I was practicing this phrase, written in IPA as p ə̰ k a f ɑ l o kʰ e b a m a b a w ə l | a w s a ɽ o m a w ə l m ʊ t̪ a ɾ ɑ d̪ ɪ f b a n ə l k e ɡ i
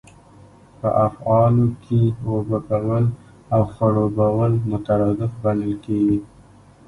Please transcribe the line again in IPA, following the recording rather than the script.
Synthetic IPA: p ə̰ ʔ a f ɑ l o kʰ e w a b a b a w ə l | a w x a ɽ o b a w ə l m ʊ t̪ a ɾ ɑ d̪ ɪ f b a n ə l k e ɡ i